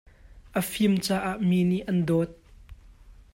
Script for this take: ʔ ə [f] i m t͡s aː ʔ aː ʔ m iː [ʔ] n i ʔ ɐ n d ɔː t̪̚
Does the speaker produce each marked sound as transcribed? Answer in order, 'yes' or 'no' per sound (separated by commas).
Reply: yes, no